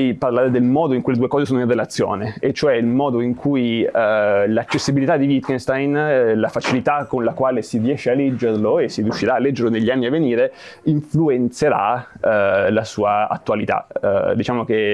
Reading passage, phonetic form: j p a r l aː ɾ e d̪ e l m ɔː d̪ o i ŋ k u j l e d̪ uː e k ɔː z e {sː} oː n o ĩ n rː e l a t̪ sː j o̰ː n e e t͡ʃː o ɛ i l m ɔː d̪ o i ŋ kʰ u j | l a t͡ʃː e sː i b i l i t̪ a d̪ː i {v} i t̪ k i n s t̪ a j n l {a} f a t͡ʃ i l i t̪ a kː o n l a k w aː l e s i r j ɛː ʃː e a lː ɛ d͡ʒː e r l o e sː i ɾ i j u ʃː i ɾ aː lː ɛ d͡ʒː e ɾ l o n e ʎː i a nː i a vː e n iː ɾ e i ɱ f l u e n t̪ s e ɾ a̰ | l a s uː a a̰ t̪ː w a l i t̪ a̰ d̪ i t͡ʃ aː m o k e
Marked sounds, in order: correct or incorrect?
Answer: incorrect, correct, correct

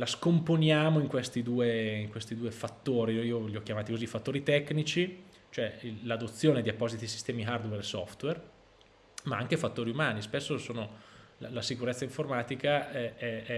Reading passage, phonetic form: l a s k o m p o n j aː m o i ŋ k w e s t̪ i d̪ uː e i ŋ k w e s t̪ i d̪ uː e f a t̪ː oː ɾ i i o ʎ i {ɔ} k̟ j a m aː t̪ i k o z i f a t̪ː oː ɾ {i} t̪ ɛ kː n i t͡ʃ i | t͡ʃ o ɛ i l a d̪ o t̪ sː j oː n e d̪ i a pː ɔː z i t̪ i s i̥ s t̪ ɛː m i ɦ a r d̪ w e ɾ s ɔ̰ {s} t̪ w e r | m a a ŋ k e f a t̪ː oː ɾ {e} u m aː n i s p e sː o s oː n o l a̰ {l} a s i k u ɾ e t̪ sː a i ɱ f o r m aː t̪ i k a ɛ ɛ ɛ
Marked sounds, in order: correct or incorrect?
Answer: correct, correct, incorrect, incorrect, correct

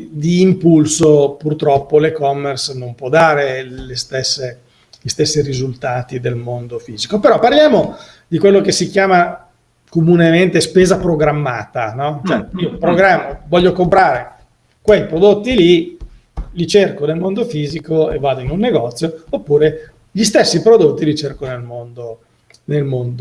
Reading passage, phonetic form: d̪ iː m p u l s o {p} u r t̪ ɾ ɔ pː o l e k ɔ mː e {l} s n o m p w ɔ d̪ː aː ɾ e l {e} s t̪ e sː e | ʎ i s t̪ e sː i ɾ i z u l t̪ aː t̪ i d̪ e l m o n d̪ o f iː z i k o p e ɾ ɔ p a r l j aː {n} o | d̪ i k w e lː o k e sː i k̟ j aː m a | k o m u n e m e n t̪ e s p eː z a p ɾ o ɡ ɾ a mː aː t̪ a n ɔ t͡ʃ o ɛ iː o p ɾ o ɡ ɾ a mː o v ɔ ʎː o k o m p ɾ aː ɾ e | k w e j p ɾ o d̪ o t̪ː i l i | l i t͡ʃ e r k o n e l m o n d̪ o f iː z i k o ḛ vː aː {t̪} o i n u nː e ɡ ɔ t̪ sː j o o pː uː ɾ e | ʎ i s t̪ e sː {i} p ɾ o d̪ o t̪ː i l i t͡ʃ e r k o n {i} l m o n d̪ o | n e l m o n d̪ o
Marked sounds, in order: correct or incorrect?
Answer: correct, incorrect, correct, incorrect, incorrect, correct, incorrect

